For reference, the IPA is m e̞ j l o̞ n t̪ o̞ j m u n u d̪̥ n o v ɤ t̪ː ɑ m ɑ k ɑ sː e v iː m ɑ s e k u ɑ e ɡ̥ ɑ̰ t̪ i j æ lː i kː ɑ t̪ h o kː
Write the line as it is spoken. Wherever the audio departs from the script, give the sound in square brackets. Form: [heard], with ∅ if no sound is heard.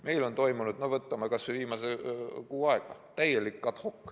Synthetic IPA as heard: m e̞ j l o̞ n t̪ o̞ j m u n u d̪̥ n o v ɤ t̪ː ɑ m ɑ k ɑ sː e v iː m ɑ s e k [uː] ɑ e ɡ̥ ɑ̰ t̪ [æ] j [e] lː i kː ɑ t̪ h o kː